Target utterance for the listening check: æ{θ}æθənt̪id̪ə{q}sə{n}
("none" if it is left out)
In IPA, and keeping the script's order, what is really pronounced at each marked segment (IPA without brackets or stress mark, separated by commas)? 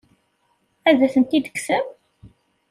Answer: ð, k, m